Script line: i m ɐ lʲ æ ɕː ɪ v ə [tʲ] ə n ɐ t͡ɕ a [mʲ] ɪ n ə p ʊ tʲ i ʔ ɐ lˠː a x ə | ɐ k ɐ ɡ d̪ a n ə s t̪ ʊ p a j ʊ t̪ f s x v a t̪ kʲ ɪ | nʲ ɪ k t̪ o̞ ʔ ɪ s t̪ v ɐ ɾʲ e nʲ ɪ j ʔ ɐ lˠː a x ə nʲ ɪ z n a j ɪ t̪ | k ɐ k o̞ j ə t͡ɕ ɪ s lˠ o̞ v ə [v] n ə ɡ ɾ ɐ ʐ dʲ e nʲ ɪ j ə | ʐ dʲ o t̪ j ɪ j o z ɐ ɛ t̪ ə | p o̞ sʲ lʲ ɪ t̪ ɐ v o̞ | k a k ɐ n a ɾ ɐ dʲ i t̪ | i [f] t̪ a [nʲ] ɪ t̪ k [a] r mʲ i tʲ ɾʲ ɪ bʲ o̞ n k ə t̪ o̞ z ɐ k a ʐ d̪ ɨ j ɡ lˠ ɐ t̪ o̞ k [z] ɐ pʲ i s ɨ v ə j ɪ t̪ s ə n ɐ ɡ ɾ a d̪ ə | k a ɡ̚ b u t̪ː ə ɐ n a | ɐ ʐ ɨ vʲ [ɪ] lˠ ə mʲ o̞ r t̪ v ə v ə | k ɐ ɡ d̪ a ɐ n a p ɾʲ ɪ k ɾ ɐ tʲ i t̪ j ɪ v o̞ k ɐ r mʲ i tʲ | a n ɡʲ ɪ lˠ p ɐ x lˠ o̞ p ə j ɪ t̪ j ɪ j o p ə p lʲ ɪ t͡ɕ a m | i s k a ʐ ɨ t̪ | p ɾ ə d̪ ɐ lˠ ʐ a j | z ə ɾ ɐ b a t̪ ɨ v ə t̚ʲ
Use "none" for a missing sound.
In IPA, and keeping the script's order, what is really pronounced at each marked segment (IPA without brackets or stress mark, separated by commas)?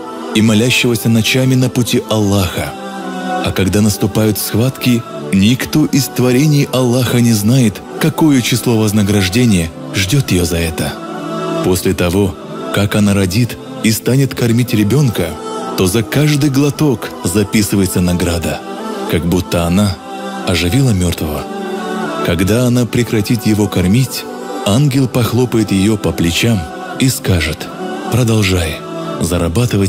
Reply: sʲ, mʲ, z, s, nʲ, ɐ, z, i